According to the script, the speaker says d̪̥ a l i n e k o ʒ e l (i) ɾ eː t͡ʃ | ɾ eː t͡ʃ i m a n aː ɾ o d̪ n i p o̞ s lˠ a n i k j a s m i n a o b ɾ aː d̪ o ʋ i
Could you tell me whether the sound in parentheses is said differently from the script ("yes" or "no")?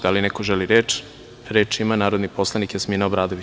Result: no